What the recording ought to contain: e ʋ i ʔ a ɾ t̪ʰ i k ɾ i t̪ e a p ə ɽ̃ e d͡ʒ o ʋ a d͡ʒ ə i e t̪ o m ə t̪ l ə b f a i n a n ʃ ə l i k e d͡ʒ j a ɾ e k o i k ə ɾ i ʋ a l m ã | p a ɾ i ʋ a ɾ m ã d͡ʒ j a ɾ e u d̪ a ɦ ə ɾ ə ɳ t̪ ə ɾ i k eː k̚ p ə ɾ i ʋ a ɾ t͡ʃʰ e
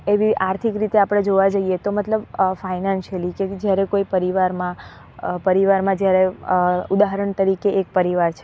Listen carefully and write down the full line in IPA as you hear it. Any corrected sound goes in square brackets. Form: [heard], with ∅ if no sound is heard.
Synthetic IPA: e ʋ i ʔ a ɾ t̪ʰ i k ɾ i t̪ e a p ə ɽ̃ e d͡ʒ o ʋ a d͡ʒ ə i e t̪ o m ə t̪ l ə b f a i n a n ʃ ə l i k e d͡ʒ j a ɾ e k o i [p] ə ɾ i ʋ a [ɾ] m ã | p [ə] ɾ i ʋ a ɾ m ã d͡ʒ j a ɾ e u d̪ a ɦ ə ɾ ə ɳ t̪ ə ɾ i k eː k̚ p ə ɾ i ʋ a ɾ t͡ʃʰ e

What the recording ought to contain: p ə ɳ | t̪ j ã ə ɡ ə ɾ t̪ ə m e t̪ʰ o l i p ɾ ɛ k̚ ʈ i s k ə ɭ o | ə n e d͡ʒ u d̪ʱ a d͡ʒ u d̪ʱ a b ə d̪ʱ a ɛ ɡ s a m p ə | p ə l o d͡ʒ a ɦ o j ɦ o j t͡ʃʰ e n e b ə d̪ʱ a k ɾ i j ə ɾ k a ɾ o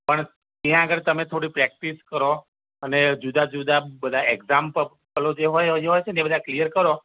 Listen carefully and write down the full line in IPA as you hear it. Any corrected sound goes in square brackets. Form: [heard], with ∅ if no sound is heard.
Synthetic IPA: p ə ɳ | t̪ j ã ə ɡ ə ɾ t̪ ə m e t̪ʰ o [ɽ] i p ɾ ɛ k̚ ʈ i s k ə [ɾ] o | ə n e d͡ʒ u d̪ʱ a d͡ʒ u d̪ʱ a b ə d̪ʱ a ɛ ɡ [z] a m p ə | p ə l o d͡ʒ [e] ɦ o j ɦ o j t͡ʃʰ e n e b ə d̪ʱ a k [l] i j ə ɾ k [ə] ɾ o

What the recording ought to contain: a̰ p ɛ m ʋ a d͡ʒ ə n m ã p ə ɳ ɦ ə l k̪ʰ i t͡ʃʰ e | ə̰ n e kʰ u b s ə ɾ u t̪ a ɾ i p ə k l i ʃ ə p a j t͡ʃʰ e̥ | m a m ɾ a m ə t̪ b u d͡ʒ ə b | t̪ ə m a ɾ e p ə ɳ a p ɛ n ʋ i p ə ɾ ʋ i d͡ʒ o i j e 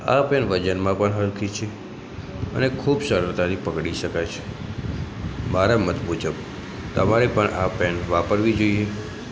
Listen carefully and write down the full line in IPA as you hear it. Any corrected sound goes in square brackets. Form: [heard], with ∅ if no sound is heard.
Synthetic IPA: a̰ p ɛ [n] ʋ [ə] d͡ʒ ə n m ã p ə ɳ ɦ ə l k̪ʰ i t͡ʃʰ e | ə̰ n e kʰ u b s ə ɾ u t̪ a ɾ i p ə k [ɽ] i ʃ ə [k] a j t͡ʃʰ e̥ | m a [∅] ɾ a m ə t̪ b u d͡ʒ ə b | t̪ ə m a ɾ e p ə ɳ a p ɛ n ʋ [a] p ə ɾ ʋ i d͡ʒ o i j e

